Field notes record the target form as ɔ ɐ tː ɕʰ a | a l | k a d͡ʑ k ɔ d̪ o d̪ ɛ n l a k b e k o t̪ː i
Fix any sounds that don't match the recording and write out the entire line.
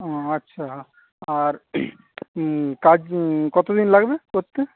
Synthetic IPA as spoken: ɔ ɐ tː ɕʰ a | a ɾ | k a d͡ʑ k ɔ t̪ o d̪ i n l a ɡ b e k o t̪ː e